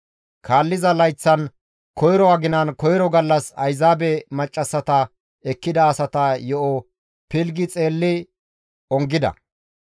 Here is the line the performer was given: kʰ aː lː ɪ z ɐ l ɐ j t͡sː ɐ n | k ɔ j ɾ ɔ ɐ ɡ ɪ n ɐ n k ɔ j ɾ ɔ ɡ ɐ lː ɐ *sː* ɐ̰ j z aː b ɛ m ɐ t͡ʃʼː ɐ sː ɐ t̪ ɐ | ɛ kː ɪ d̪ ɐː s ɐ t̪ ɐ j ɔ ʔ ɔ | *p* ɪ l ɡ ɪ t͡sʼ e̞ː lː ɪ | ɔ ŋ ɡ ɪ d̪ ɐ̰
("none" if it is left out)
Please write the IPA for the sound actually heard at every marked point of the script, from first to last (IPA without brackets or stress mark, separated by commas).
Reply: s, p